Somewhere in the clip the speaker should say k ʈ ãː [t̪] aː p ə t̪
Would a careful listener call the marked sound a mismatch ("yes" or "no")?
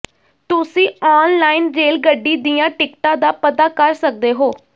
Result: yes